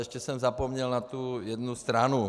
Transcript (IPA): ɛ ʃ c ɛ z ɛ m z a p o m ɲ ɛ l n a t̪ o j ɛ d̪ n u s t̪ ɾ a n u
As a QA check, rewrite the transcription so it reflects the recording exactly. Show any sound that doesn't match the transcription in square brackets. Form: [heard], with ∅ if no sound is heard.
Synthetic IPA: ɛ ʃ c ɛ [s] ɛ m z a p o m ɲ ɛ l n a t̪ [u] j ɛ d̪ n u s t̪ ɾ a n u